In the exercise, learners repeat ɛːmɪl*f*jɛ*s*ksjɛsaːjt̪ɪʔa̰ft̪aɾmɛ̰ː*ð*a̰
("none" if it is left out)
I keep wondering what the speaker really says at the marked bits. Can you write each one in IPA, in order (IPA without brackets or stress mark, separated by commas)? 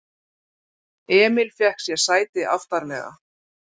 f, h, ɣ